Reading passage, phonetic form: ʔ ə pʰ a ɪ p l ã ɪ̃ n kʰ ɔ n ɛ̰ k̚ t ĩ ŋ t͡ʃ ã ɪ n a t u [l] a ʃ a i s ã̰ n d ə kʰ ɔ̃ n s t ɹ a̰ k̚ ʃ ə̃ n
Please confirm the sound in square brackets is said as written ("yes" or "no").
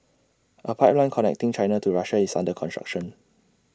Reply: no